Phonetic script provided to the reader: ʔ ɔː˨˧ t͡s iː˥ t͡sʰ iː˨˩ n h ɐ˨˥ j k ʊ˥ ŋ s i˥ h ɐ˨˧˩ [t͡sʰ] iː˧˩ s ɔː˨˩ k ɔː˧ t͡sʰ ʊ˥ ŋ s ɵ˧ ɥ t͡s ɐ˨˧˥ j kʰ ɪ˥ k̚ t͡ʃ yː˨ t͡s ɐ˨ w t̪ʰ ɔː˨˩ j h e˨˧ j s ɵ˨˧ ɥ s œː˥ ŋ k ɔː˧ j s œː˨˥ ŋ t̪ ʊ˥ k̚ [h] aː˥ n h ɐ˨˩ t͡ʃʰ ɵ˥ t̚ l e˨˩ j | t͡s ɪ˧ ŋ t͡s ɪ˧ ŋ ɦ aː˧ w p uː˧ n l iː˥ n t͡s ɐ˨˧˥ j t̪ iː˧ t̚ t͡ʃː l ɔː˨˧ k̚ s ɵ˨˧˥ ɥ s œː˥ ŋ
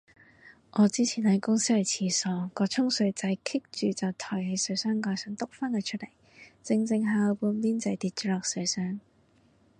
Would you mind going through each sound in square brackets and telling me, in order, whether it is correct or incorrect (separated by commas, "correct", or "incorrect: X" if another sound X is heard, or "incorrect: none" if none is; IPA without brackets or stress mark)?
correct, incorrect: f